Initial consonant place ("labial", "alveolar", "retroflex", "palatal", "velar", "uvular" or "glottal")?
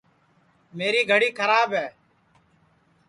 labial